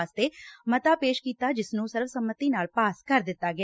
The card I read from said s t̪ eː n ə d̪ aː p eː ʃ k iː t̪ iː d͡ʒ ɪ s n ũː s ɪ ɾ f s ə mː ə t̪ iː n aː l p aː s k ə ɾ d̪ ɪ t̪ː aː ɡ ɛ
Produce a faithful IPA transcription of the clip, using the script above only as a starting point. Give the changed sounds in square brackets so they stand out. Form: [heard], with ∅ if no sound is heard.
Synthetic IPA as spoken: s t̪ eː [m] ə [t̪] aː p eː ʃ k iː t̪ [aː] d͡ʒ ɪ s n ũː s ɪ ɾ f s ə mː ə t̪ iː n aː l p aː s k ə ɾ d̪ ɪ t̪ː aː ɡ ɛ